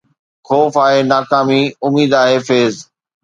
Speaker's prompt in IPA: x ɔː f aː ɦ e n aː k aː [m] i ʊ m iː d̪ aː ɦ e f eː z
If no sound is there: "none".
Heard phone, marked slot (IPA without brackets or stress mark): m